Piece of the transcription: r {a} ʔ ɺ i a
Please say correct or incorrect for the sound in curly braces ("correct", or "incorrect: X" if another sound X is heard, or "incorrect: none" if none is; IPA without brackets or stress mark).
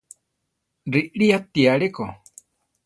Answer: incorrect: i